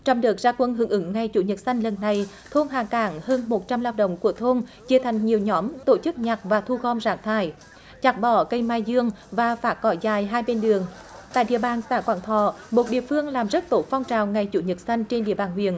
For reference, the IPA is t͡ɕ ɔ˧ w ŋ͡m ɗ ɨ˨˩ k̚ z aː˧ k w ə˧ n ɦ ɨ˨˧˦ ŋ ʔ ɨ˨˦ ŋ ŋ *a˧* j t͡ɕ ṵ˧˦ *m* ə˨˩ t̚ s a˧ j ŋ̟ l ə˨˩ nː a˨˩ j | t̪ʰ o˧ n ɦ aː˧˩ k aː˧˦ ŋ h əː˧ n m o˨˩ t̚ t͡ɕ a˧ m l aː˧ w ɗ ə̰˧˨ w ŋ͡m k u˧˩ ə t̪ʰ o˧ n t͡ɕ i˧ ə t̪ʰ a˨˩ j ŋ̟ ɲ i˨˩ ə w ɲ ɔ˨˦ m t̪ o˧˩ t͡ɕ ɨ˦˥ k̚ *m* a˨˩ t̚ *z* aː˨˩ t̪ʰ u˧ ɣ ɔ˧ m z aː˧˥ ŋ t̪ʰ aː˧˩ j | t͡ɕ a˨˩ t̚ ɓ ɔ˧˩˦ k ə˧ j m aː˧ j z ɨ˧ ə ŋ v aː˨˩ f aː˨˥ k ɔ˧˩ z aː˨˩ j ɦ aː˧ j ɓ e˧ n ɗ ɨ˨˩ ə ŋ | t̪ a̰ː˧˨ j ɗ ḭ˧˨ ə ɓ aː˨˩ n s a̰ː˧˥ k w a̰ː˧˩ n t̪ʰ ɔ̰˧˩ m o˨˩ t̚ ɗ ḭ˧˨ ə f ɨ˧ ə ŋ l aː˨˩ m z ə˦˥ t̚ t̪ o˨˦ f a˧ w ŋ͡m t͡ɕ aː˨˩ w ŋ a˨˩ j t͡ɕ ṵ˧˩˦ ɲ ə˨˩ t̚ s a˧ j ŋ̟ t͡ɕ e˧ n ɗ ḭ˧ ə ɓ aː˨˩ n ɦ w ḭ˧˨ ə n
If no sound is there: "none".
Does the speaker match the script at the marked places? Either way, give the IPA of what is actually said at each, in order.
a˨˩, ɲ, ɲ, v

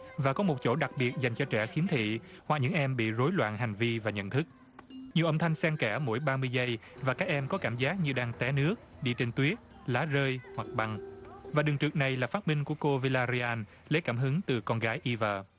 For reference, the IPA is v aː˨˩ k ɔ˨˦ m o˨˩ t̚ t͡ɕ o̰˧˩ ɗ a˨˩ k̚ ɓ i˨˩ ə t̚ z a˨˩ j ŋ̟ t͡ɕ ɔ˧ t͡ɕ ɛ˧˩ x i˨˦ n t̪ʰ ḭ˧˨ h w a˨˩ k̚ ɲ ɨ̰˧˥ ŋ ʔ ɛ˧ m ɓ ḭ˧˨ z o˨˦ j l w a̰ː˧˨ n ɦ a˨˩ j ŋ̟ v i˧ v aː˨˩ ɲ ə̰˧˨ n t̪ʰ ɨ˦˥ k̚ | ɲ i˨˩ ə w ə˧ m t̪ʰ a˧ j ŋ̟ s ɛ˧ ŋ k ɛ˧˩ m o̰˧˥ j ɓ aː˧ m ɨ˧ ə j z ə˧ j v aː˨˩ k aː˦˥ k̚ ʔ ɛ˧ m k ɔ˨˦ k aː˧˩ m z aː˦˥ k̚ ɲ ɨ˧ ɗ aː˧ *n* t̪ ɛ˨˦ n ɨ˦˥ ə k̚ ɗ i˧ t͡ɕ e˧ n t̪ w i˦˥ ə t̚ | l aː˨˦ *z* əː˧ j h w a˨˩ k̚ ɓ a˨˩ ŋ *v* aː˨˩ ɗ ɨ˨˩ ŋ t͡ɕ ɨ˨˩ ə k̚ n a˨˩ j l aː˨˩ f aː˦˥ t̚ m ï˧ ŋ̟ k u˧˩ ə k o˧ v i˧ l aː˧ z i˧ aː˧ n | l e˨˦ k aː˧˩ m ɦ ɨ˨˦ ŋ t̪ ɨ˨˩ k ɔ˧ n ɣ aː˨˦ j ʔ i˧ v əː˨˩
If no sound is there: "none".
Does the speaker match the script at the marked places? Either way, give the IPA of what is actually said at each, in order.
ŋ, z, v

